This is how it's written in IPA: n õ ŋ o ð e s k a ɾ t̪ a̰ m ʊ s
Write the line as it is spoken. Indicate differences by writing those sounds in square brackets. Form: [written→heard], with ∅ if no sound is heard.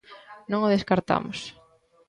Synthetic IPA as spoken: n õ ŋ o ð e s k a ɾ t̪ a̰ m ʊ s